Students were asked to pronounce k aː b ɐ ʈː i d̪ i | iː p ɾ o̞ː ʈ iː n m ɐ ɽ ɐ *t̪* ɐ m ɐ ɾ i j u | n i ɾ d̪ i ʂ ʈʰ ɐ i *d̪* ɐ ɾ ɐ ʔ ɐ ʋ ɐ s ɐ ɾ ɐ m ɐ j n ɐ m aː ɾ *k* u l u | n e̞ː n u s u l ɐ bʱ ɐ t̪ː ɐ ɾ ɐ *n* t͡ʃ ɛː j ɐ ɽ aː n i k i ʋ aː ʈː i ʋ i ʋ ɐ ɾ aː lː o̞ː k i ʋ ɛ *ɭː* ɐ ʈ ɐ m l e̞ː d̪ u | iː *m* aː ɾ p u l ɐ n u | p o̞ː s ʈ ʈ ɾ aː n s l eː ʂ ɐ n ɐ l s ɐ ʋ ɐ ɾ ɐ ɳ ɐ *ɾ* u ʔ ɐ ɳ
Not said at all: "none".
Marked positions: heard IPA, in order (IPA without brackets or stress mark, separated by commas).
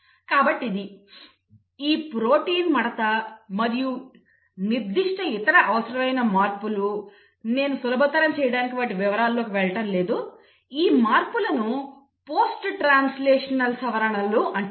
t̪, t̪, p, m, ɭ, m, l